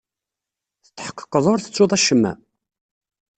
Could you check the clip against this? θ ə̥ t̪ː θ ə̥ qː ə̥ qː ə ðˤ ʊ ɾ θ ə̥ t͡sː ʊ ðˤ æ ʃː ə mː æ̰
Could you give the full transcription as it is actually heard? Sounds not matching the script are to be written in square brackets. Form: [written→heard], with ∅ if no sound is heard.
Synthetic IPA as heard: θ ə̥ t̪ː [θ→ħ] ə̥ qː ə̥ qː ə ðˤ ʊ ɾ θ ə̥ t͡sː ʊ ðˤ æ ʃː ə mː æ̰